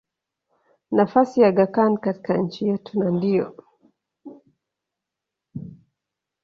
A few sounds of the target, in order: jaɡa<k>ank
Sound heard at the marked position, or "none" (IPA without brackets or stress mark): k